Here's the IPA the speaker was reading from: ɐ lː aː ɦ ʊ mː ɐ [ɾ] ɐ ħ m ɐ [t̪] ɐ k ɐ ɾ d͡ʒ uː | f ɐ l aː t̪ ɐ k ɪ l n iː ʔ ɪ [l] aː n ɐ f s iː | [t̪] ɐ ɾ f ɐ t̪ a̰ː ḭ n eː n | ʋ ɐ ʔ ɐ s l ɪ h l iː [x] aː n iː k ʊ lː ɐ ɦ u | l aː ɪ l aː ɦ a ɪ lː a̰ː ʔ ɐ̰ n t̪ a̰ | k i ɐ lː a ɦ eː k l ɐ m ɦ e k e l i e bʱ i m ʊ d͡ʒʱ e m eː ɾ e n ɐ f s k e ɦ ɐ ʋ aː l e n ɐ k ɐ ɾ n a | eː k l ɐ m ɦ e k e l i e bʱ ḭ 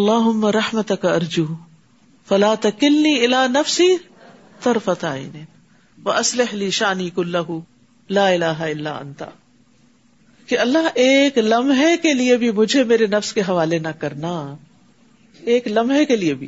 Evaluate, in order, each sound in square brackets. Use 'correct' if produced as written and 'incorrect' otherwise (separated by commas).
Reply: correct, correct, correct, correct, incorrect